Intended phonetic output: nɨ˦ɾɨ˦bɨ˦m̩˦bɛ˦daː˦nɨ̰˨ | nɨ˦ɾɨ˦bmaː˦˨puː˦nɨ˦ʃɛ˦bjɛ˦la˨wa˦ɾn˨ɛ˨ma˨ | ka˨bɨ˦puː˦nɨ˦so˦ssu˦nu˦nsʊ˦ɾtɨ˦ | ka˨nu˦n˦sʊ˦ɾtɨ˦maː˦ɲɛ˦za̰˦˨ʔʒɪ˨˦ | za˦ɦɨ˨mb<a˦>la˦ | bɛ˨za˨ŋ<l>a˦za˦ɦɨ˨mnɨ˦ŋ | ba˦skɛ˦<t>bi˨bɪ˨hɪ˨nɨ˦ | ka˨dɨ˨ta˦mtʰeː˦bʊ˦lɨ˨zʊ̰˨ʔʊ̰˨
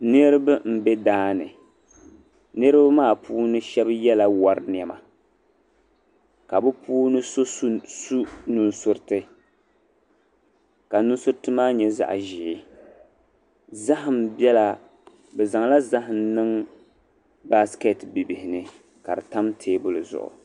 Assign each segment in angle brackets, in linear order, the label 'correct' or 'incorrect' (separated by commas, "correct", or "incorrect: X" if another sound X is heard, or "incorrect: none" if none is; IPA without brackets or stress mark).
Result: incorrect: ɛ˦, correct, correct